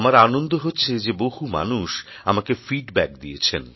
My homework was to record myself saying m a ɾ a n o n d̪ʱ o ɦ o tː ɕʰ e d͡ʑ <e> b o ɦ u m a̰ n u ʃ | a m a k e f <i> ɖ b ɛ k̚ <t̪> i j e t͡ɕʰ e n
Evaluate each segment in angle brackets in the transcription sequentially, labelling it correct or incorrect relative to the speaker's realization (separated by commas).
correct, correct, incorrect